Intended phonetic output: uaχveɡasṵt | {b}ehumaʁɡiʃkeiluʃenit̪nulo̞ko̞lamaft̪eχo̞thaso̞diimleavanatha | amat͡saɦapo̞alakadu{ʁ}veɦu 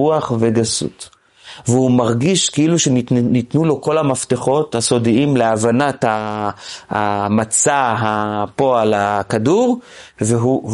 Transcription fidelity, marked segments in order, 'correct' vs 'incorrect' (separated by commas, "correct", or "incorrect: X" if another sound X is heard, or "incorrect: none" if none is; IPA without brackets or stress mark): incorrect: v, correct